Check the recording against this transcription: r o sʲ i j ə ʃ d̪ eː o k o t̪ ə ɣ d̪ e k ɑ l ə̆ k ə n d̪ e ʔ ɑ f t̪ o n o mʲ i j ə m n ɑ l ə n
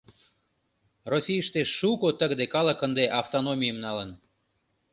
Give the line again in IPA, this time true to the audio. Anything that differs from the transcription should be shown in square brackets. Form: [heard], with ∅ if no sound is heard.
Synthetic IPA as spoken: r o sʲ i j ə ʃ [t̪] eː [u] k o t̪ ə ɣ d̪ e k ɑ l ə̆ k ə n d̪ e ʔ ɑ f t̪ o n o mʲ i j ə m n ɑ l ə n